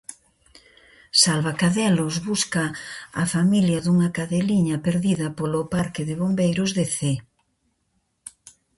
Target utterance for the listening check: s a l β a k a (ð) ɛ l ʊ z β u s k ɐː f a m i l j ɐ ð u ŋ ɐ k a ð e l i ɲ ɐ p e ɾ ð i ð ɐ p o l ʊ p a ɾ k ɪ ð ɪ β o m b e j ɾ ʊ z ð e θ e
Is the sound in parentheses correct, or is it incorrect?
correct